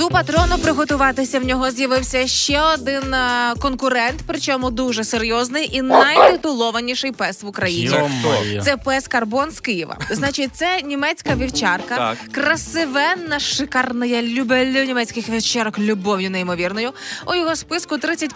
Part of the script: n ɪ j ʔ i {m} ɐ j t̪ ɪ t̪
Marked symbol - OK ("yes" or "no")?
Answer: no